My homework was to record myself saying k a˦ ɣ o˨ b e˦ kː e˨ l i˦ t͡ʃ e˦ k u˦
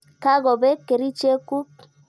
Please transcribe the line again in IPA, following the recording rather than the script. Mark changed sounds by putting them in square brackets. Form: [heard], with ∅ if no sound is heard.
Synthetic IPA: k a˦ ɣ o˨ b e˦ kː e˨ [ɾ] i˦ t͡ʃ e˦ k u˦

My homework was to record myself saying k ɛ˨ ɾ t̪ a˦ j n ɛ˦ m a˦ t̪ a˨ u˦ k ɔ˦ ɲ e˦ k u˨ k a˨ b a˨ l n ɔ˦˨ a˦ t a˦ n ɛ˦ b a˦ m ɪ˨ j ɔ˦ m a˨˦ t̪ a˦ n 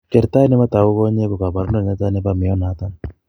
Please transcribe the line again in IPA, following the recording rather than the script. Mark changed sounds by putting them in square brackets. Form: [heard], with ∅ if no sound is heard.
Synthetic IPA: k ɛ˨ ɾ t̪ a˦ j n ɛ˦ m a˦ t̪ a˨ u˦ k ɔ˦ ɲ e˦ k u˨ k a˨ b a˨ [ɾ] n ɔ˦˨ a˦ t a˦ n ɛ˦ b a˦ m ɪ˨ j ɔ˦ [n] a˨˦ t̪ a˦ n

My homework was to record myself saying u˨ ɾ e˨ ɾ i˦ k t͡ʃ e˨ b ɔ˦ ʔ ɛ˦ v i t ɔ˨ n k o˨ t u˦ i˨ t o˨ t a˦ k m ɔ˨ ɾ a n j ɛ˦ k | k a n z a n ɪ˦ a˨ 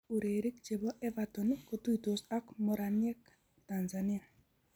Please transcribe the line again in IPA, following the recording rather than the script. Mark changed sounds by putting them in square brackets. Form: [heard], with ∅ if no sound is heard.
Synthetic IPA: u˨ ɾ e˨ ɾ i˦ k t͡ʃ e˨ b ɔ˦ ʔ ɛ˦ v [a] t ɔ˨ n k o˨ t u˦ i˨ t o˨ [s] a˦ k m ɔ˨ ɾ a n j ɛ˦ k | [t] a n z a n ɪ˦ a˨

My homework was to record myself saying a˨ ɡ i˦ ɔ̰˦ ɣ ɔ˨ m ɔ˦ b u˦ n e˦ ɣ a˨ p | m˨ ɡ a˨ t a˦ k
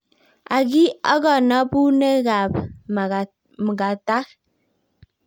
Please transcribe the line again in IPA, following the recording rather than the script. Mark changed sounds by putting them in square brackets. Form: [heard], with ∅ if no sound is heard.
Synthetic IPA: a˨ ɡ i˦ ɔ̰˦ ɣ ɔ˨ [n] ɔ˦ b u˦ n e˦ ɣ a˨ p | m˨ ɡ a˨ t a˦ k

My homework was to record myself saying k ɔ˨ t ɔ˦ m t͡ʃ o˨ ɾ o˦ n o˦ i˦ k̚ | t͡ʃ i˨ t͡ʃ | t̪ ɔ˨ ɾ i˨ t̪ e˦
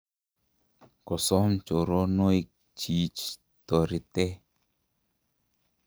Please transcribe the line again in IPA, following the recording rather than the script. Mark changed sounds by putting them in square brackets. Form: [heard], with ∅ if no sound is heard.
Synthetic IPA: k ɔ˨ [s] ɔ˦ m t͡ʃ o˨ ɾ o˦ n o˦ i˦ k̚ | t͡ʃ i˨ t͡ʃ | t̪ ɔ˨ ɾ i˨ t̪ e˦

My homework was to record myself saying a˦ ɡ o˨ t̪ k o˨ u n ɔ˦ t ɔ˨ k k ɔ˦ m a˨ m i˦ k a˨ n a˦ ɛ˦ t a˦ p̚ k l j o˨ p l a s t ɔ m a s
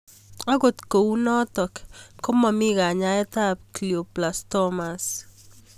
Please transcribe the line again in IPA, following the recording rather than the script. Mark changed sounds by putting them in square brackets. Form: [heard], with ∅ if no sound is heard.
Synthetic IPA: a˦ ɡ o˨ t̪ k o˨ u n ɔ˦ t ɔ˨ k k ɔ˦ m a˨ m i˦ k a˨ [ɲ] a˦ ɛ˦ t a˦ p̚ k l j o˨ p l a s t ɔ m a s

